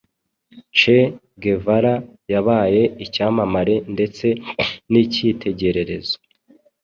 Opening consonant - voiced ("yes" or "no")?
no